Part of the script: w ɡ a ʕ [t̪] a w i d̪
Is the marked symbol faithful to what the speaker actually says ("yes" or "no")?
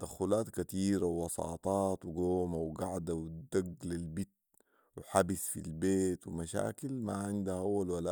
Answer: no